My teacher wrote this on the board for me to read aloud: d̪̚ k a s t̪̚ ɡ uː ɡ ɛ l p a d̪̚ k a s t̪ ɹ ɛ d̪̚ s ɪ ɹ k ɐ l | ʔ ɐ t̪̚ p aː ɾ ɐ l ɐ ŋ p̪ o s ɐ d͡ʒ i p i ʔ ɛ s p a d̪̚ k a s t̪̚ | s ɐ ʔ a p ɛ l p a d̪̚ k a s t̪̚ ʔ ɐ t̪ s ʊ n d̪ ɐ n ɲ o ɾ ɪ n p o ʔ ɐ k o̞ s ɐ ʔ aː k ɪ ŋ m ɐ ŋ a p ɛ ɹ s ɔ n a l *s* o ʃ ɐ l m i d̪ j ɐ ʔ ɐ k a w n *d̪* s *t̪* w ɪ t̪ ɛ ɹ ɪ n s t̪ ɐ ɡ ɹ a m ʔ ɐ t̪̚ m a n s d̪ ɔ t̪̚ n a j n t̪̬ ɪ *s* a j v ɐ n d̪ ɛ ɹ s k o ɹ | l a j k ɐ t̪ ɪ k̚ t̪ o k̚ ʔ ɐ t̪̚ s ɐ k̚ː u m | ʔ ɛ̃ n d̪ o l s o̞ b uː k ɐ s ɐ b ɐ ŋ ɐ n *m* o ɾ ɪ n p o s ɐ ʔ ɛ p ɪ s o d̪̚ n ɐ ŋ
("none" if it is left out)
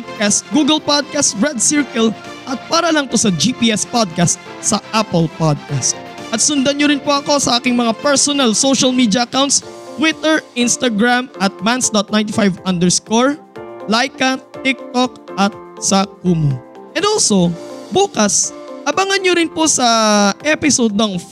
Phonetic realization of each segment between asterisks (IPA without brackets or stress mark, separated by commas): s, t̪, t̪, f, ɲ